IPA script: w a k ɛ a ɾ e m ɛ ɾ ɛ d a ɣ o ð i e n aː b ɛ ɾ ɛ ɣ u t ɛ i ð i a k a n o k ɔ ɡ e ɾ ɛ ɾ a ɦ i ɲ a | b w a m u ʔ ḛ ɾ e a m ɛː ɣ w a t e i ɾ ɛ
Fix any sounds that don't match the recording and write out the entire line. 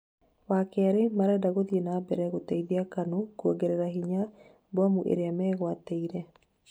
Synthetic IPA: w a k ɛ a ɾ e m a ɾ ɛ d a ɣ o ð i e n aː b ɛ ɾ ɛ ɣ o t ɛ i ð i a k a n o k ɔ ɡ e ɾ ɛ ɾ a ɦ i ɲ a | b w a m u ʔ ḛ ɾ e a m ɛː ɣ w a t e i ɾ ɛ